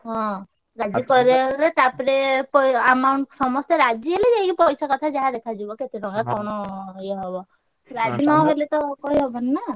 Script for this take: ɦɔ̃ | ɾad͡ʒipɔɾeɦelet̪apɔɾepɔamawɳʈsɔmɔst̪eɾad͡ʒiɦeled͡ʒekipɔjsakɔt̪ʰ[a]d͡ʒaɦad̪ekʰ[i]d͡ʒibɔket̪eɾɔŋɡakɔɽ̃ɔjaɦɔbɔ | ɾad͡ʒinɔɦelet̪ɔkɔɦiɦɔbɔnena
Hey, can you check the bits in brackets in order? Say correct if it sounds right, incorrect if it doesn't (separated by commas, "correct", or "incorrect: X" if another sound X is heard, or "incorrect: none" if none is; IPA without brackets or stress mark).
correct, incorrect: a